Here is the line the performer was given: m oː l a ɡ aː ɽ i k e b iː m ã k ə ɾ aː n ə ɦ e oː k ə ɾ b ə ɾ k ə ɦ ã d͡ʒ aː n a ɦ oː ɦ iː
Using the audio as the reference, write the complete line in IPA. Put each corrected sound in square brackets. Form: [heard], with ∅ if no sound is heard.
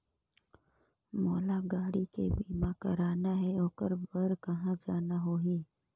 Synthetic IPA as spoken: m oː l a ɡ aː ɽ i k e b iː m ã k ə ɾ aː n [a] ɦ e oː k ə ɾ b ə ɾ k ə ɦ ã d͡ʒ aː n a ɦ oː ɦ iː